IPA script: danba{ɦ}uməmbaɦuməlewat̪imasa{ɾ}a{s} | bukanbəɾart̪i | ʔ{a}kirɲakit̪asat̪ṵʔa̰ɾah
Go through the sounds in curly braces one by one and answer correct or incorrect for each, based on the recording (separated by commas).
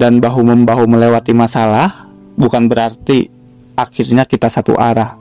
correct, incorrect, incorrect, correct